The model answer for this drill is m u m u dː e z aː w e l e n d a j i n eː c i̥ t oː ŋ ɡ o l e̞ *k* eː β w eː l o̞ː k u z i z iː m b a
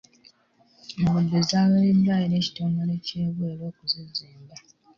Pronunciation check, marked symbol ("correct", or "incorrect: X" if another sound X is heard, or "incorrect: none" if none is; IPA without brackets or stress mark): incorrect: c